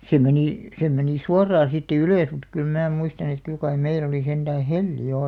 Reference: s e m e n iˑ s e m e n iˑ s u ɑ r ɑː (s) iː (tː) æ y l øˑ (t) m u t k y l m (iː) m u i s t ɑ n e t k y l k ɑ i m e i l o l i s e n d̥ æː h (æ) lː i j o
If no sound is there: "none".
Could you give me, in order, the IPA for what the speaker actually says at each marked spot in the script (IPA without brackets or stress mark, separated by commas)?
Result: s, tː, s, æː, e